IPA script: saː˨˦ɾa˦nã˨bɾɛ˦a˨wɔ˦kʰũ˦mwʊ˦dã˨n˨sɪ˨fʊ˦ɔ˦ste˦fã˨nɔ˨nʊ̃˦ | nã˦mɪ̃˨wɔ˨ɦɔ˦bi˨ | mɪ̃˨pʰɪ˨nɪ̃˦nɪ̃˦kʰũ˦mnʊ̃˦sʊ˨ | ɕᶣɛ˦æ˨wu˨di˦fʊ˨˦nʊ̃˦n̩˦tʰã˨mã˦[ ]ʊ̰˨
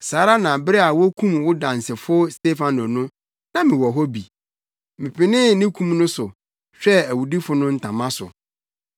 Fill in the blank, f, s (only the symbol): s